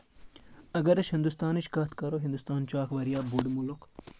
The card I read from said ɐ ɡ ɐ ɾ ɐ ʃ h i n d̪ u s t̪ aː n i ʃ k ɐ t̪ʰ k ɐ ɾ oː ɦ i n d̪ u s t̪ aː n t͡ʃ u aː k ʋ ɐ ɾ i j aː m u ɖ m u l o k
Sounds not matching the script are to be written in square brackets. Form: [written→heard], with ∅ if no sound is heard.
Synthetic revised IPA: ɐ ɡ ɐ ɾ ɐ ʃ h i n d̪ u s t̪ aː n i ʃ k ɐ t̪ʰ k ɐ ɾ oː ɦ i n d̪ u s t̪ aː n t͡ʃ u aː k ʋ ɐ ɾ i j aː [m→b] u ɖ m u l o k